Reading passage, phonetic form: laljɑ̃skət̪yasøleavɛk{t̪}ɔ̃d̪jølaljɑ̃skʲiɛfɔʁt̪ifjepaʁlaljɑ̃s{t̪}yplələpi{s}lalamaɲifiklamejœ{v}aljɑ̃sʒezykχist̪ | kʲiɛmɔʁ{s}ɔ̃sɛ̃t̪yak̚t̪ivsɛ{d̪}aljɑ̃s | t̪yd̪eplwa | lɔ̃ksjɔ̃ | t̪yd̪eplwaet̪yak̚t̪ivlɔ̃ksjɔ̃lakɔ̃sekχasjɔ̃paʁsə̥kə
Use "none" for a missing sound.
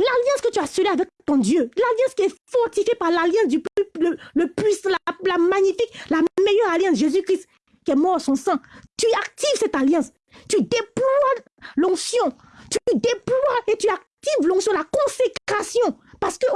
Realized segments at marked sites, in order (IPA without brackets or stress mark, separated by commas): t̪, d̪, s, ʁ, s, t̪